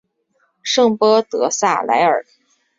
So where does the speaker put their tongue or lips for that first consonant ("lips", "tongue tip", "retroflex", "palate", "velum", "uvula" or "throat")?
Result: retroflex